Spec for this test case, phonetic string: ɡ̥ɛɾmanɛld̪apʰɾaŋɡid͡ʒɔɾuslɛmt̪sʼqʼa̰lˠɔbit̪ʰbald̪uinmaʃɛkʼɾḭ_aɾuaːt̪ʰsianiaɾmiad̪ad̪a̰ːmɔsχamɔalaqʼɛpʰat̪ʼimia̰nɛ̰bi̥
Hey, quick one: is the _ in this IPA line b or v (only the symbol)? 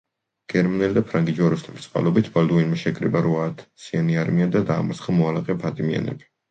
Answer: b